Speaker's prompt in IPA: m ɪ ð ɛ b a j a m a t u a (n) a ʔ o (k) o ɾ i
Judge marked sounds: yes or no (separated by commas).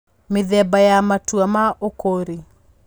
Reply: no, yes